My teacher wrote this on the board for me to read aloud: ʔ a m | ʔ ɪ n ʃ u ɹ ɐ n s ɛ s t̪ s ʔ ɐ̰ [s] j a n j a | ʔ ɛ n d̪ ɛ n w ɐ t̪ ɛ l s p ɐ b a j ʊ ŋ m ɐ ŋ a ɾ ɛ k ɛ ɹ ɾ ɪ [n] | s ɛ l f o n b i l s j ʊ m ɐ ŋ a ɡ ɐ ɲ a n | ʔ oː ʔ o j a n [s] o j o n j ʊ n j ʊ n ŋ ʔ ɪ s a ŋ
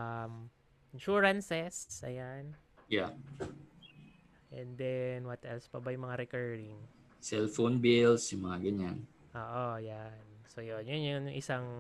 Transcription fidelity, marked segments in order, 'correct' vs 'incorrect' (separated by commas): incorrect, incorrect, correct